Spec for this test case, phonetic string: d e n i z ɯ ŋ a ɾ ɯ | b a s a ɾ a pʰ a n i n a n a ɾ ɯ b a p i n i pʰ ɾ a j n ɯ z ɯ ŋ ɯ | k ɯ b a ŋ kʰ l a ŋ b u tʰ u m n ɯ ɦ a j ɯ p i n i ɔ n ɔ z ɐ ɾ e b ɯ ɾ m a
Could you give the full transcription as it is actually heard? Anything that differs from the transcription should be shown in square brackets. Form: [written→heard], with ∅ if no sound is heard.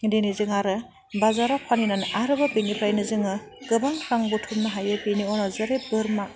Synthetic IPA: d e n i z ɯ ŋ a ɾ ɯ | b a [s→z] a ɾ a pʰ a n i n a n a ɾ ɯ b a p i n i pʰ ɾ a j n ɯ z ɯ ŋ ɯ | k ɯ b a ŋ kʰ [l→ɾ] a ŋ b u tʰ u m n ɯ ɦ a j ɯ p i n i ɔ n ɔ z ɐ ɾ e b ɯ ɾ m a